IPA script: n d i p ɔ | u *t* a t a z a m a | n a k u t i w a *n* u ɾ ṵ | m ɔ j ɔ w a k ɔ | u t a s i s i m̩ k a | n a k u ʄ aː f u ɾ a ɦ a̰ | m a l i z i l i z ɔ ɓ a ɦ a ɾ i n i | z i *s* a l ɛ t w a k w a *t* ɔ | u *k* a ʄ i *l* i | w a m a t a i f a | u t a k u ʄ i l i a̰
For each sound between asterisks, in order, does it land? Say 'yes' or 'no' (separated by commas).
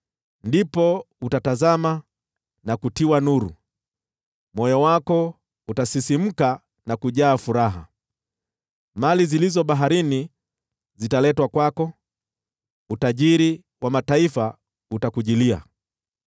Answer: yes, yes, no, no, no, no